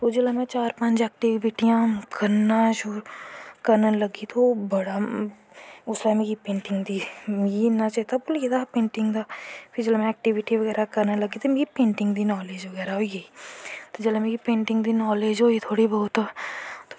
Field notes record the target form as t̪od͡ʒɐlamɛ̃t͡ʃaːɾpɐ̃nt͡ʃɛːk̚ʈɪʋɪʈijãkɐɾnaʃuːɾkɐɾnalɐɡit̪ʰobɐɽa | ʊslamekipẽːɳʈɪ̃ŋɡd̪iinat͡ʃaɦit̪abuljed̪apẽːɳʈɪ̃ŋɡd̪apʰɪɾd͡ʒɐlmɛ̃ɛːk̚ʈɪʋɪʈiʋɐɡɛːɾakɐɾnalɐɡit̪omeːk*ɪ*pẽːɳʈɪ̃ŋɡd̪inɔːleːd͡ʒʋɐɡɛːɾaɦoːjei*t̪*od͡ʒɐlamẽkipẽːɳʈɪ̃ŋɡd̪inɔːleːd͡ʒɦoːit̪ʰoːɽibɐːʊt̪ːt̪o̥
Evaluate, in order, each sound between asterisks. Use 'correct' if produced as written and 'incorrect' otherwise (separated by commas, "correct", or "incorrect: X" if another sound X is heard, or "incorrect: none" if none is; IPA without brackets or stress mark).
incorrect: i, correct